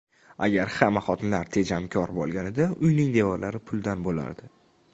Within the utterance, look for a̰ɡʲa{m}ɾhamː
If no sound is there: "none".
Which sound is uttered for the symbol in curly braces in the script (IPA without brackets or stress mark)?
none